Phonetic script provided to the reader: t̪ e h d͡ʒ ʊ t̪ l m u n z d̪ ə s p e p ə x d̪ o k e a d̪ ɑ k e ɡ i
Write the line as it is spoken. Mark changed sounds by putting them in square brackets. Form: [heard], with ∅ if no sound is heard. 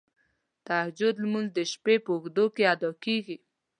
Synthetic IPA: t̪ [a] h d͡ʒ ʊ [d̪] l m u n z d̪ ə [ʃ] p e p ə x d̪ o k e a d̪ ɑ k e ɡ i